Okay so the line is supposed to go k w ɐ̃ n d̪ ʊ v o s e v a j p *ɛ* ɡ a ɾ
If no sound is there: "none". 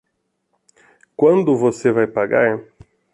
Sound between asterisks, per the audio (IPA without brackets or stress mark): a